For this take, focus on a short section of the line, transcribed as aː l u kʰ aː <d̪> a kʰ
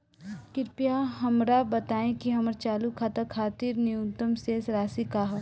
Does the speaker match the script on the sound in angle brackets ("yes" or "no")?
no